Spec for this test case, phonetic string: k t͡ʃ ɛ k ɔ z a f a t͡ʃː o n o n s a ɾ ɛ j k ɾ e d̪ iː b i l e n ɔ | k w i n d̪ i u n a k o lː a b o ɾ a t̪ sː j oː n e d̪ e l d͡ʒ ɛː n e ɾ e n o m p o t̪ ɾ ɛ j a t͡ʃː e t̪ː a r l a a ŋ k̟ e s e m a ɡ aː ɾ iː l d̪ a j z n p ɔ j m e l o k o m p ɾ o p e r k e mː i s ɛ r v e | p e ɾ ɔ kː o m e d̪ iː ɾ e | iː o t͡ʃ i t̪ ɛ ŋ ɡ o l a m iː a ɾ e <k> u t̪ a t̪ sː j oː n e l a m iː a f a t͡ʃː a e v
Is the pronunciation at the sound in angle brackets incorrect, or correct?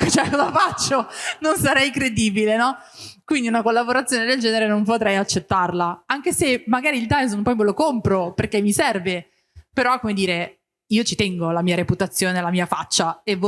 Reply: incorrect